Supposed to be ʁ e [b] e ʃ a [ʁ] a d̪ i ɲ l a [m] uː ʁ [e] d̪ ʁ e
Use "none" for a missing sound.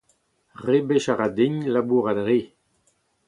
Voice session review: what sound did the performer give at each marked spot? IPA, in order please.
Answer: b, ʁ, b, a

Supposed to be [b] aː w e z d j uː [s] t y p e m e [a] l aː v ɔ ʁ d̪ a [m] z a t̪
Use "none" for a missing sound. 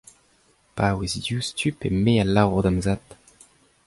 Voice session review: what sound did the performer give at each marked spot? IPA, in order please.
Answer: p, s, a, m

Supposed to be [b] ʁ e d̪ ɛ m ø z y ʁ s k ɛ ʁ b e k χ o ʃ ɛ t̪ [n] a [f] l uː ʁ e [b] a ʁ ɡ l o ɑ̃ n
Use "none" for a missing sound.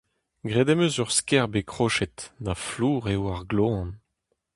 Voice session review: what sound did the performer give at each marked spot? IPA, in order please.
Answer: ɡ, n, f, w

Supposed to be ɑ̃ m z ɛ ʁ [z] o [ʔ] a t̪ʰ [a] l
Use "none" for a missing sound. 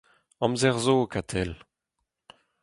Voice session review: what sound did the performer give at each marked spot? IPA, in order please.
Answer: z, k, ɛ

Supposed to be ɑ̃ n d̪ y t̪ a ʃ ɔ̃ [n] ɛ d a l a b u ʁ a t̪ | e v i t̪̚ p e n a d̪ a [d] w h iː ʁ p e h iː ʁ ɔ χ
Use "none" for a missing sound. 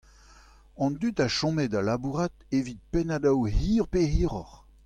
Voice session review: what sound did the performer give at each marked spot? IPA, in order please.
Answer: m, none

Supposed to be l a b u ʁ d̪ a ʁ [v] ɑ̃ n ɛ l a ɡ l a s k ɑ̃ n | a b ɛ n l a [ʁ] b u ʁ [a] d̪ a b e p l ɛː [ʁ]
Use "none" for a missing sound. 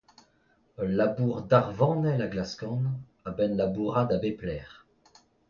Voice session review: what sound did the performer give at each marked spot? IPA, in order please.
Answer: v, none, a, ʁ

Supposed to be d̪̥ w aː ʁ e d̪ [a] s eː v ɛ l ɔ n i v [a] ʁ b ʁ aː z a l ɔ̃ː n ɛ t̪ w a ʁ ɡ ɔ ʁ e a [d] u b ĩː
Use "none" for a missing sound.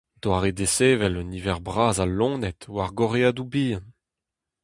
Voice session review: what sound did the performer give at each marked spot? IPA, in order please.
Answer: e, ɛ, d

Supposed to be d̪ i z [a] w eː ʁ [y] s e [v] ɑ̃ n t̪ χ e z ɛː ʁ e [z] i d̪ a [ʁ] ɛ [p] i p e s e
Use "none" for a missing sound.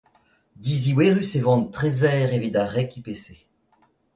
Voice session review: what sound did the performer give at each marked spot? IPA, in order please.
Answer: i, y, v, v, ʁ, k

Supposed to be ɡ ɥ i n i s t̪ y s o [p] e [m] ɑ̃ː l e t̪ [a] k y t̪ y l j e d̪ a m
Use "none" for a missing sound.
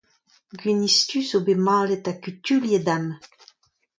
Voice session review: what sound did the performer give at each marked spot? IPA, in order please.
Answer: b, m, a

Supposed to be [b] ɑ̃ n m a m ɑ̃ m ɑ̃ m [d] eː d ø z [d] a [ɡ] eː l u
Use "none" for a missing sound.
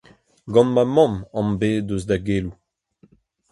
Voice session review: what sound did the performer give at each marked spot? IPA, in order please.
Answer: ɡ, b, d, ɡ

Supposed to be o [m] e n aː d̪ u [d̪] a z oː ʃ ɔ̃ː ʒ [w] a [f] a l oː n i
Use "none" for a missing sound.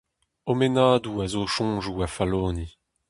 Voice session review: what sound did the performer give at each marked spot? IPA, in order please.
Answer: m, none, u, f

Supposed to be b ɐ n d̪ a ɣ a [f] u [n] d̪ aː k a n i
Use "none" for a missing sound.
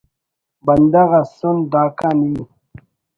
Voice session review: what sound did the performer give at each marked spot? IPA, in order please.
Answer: s, n

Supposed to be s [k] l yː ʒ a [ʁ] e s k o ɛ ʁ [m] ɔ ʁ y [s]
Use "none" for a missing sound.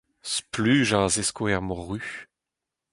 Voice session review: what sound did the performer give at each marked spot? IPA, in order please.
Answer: p, z, m, none

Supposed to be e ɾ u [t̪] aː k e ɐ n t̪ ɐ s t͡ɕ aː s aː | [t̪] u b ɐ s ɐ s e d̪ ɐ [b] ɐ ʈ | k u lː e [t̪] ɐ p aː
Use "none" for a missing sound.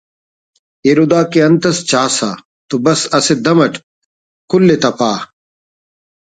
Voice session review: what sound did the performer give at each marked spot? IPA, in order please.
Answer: d̪, t̪, m, t̪

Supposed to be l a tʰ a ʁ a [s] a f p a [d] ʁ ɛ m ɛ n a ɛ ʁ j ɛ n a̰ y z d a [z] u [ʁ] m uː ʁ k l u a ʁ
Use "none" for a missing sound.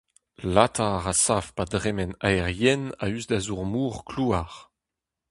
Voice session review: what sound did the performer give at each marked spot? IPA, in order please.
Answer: s, d, z, ʁ

